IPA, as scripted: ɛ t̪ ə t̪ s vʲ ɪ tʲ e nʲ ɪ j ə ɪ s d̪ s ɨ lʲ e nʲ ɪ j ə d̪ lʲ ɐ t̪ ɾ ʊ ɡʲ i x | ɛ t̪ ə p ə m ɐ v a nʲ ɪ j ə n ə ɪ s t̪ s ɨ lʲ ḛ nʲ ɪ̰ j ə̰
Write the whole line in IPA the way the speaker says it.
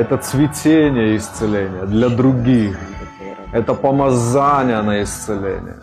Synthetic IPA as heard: ɛ t̪ ə t̪ s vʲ ɪ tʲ e nʲ ɪ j ə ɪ s t̪ s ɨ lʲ e nʲ ɪ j ə d̪ lʲ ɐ d̪ ɾ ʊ ɡʲ i x | ɛ t̪ ə p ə m ɐ z a nʲ ɪ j ə n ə ɪ s t̪ s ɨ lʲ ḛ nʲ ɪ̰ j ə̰